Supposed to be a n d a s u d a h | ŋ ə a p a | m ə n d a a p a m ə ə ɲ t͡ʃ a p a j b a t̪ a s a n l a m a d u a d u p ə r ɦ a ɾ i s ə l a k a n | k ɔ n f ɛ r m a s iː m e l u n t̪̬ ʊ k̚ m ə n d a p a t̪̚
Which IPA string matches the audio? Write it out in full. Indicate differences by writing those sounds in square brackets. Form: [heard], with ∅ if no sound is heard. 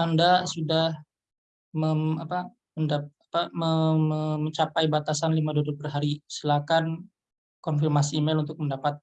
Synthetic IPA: a n d a s u d a h | [m] ə a p a | m ə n d a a p a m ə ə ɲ t͡ʃ a p a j b a t̪ a s a n l [i] m a d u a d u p ə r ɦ a ɾ i s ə l a k a n | k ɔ n f [i] r m a s iː m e l u n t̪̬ ʊ k̚ m ə n d a p a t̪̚

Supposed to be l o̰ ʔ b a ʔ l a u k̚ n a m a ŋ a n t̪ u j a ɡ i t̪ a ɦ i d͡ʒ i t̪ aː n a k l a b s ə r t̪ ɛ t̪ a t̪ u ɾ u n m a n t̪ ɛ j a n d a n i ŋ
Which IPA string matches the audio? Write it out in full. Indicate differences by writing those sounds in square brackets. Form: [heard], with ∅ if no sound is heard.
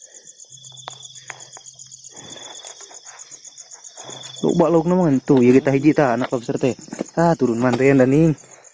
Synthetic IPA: l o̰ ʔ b a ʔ l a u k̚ n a m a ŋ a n t̪ u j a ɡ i t̪ a ɦ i d͡ʒ i t̪ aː n a k l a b s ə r t̪ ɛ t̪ a t̪ u ɾ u n m a n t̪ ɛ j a n d a n i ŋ

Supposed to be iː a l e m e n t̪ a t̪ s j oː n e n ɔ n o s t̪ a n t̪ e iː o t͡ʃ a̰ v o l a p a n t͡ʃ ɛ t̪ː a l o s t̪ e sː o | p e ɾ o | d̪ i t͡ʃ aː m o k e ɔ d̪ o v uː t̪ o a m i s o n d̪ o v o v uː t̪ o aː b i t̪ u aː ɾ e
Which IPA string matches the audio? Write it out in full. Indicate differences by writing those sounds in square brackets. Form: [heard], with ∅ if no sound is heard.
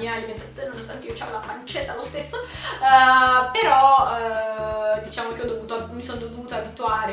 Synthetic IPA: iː a l [i] m e n t̪ a t̪ s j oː n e n [o] n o s t̪ a n t̪ e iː o t͡ʃ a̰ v o l a p a n t͡ʃ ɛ t̪ː a l o s t̪ e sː o | p e ɾ [ɔ] | d̪ i t͡ʃ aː m o k e ɔ d̪ o v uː t̪ o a m i s o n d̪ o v o v uː t̪ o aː b i t̪ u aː ɾ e

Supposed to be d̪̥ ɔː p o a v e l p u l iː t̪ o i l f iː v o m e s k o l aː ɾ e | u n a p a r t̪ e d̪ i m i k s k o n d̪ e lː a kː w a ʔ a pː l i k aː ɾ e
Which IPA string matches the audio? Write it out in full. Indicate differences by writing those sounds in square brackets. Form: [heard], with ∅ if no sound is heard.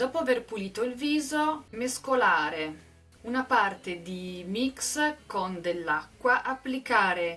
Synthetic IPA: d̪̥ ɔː p o a v e [r] p u l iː t̪ o i l [v] iː [z] o m e s k o l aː ɾ e | u n a p a r t̪ e d̪ i m i k s k o n d̪ e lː a kː w a ʔ a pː l i k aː ɾ e

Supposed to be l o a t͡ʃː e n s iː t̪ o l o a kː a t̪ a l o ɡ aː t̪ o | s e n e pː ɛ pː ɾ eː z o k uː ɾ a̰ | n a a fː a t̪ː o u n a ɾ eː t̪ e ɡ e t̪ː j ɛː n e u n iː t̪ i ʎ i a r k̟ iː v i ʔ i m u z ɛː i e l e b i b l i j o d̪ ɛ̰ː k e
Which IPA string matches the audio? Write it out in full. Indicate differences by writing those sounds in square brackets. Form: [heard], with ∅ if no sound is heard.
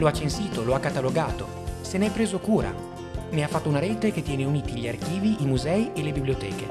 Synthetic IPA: l o a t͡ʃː e n s iː t̪ o l o a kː a t̪ a l o ɡ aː t̪ o | s e n e [∅] ɛ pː ɾ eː z o k uː ɾ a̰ | n [e] a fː a t̪ː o u n a ɾ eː t̪ e [k] e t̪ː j ɛː n e u n iː t̪ i ʎ i a r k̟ iː v i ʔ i m u z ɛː i e l e b i b l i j o [t̪] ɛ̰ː k e

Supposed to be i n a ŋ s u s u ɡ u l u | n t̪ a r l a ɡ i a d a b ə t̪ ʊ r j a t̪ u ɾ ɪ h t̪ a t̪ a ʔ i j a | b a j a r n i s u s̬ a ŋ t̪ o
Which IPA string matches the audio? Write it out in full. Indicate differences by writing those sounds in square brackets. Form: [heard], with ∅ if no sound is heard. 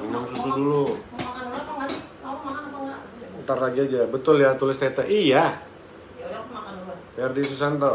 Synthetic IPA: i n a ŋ s u s u [d] u l u | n t̪ a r l a ɡ i a [d͡ʒ] a b ə t̪ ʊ [l] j a t̪ u [l] ɪ [s] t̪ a t̪ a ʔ i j a | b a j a r [d] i s u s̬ a [n] t̪ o

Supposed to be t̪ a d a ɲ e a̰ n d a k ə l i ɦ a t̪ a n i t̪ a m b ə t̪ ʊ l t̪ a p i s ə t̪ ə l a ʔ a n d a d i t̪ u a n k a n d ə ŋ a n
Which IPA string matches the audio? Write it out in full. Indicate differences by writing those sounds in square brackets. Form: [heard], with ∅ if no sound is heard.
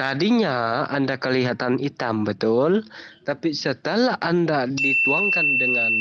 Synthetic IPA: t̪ a d [i] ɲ [a] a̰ n d a k ə l i ɦ a t̪ a n i t̪ a m b ə t̪ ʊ l t̪ a p i s ə t̪ ə l a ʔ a n d a d i t̪ u a [ŋ] k a n d ə ŋ a n

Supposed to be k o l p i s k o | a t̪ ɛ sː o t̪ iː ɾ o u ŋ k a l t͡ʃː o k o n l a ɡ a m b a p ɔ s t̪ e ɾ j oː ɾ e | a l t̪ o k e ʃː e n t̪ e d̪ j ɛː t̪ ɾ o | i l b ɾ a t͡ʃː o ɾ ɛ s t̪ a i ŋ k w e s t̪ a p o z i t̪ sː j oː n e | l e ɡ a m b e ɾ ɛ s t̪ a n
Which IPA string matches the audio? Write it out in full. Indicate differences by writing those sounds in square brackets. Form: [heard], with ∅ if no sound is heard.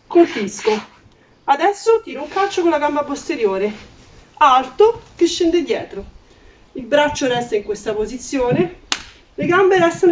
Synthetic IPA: k o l p i s k o | a [d̪] ɛ sː o t̪ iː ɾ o u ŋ k a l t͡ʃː o k o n l a ɡ a m b a p [o] s t̪ e ɾ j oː ɾ e | a l t̪ o k e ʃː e n [d̪] e d̪ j ɛː t̪ ɾ o | i l b ɾ a t͡ʃː o ɾ ɛ s t̪ a i ŋ k w e s t̪ a p o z i t̪ sː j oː n e | l e ɡ a m b e ɾ ɛ s t̪ a n

